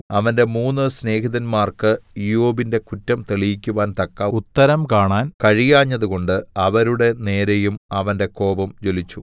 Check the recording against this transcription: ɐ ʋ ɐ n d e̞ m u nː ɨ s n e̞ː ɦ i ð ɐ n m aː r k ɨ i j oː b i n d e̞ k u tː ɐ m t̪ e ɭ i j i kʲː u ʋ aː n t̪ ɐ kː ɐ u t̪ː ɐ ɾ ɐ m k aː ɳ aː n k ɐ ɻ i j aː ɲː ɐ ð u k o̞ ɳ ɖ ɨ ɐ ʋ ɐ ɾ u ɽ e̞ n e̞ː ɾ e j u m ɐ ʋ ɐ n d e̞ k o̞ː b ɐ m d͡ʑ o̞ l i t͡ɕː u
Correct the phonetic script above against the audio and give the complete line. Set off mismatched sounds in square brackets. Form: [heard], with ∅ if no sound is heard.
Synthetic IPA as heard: ɐ ʋ ɐ n d e̞ m [uː] nː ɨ s n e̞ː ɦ i ð ɐ n m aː r k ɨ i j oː b i n d e̞ k u tː ɐ m t̪ e ɭ i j i kʲː u ʋ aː n t̪ ɐ kː ɐ u t̪ː ɐ ɾ ɐ m k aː ɳ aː n k ɐ ɻ i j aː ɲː ɐ ð u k o̞ ɳ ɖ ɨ ɐ ʋ ɐ ɾ u ɽ e̞ n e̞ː ɾ e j u m ɐ ʋ ɐ n d e̞ k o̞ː b ɐ m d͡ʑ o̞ l i t͡ɕː u

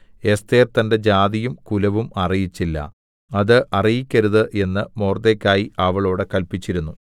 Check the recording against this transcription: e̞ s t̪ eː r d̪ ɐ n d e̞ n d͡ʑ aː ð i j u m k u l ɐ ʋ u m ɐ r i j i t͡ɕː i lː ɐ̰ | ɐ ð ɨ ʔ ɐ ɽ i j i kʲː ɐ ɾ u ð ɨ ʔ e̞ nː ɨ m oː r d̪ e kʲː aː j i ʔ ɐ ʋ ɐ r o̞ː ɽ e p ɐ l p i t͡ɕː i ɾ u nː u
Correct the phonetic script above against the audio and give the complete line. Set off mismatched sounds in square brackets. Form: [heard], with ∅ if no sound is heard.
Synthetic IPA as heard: e̞ s t̪ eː r [t̪] ɐ n d e̞ [∅] d͡ʑ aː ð i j u m k u l ɐ ʋ u m ɐ r i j i t͡ɕː i lː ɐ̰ | ɐ ð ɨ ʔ ɐ [r] i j i kʲː ɐ ɾ u ð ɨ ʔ e̞ nː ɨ m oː r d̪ e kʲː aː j i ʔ ɐ ʋ ɐ [ɭ] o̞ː ɽ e [k] ɐ l p i t͡ɕː i ɾ u nː u

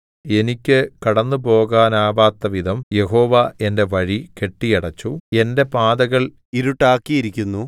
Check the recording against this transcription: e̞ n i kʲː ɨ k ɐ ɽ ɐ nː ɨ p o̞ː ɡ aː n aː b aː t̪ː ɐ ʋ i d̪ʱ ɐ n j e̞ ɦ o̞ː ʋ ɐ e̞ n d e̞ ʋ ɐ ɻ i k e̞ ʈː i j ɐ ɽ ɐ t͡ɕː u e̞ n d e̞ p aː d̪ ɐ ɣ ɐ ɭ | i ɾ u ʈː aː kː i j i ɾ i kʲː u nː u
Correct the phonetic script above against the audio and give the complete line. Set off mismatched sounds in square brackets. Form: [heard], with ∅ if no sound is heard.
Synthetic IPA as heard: e̞ n i kʲː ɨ k ɐ ɽ ɐ nː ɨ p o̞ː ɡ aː n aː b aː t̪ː ɐ ʋ i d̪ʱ ɐ [m] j e̞ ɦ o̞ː ʋ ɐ e̞ n d e̞ ʋ ɐ ɻ i k e̞ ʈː i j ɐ ɽ ɐ t͡ɕː u e̞ n d e̞ p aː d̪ ɐ ɣ ɐ ɭ | i ɾ u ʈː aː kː i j i ɾ i kʲː u nː u

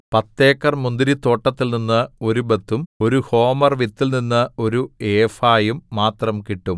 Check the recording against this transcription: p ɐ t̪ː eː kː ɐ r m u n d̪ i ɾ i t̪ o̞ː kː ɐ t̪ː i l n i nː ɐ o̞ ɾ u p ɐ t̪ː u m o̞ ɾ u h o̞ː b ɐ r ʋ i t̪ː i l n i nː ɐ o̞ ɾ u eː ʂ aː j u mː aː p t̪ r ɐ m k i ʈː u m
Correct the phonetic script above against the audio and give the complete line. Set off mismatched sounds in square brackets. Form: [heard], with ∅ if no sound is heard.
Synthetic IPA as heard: p ɐ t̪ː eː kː ɐ r m u n d̪ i ɾ i t̪ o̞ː [ʈː] ɐ t̪ː i l n i nː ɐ o̞ ɾ u [b] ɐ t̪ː u m o̞ ɾ u h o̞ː [m] ɐ r ʋ i t̪ː i l n i nː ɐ o̞ ɾ u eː [f] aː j u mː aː [∅] t̪ r ɐ m k i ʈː u m

